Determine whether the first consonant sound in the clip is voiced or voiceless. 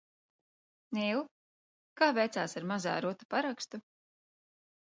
voiced